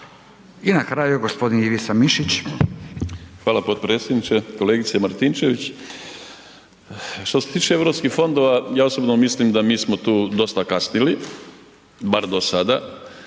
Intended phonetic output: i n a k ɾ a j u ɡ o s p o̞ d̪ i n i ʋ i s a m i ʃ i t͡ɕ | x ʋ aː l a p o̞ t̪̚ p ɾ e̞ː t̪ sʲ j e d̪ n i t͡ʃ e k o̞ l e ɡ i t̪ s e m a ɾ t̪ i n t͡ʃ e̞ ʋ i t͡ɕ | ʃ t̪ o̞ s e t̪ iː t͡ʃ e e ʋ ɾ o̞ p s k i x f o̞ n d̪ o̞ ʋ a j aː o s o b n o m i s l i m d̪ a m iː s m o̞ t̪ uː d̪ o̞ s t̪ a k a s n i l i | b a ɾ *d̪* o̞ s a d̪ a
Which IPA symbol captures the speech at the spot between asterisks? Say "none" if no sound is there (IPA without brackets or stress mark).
d̪